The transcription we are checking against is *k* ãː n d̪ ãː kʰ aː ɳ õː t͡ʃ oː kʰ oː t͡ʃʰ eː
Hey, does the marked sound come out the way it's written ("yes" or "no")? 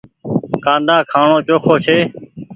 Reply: yes